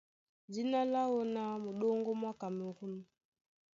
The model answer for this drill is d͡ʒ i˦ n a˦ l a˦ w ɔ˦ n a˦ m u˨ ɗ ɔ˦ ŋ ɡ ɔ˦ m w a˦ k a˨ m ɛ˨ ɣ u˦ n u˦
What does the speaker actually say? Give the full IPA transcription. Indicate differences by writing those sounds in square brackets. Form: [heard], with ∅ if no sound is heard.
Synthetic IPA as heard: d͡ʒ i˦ n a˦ l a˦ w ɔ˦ n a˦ m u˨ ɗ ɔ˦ ŋ ɡ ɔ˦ m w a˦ k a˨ m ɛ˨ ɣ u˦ n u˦

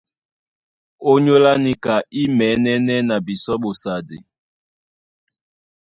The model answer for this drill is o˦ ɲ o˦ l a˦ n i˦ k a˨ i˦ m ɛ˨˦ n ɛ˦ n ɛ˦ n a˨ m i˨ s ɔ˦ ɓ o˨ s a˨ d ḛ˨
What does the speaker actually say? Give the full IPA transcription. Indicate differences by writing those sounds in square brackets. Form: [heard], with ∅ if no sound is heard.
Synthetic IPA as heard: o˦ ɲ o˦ l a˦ n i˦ k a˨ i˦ m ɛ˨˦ n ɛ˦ n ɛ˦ n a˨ [b] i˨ s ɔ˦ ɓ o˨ s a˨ d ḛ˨

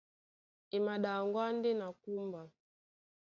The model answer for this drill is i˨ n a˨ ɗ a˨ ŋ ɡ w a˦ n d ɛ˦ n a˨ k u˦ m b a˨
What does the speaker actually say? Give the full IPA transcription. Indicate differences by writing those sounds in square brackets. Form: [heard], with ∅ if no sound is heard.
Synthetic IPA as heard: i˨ [m] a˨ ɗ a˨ ŋ ɡ w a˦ n d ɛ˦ n a˨ k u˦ m b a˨

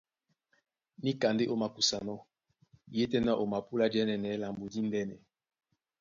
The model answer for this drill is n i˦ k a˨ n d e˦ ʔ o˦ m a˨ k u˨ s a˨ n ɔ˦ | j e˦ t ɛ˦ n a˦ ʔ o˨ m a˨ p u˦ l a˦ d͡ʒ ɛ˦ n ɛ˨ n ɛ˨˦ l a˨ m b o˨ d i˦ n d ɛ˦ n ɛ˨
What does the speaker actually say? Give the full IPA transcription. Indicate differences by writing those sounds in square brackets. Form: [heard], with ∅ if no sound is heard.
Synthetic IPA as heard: n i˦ k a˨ n d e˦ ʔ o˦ m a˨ k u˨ s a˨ n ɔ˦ | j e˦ t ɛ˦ n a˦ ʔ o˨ m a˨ p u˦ l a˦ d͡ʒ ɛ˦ n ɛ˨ n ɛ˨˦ l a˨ m b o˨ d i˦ n d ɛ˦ n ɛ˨

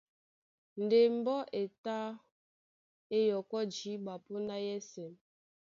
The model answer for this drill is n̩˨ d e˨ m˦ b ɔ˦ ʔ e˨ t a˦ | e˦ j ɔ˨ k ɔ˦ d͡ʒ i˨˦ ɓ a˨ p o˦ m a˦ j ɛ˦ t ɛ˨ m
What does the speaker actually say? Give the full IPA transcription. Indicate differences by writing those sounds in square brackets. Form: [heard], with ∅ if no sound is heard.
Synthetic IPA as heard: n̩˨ d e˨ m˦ b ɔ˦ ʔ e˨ t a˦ | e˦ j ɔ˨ k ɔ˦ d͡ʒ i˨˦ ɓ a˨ p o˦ [n] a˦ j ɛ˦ [s] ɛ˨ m

